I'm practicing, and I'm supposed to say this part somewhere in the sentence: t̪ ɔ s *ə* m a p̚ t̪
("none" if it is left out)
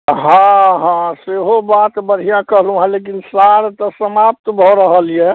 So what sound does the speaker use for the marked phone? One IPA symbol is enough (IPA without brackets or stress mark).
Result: ə